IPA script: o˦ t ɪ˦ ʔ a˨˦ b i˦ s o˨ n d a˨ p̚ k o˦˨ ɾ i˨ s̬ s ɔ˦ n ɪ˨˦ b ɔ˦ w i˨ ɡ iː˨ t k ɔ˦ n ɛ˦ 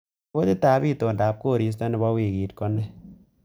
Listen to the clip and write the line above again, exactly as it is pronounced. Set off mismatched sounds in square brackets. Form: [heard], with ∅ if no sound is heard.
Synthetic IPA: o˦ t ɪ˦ [t] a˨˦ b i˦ [t] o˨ n d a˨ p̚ k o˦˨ ɾ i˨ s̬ [t] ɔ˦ n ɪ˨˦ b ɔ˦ w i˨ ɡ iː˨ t k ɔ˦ n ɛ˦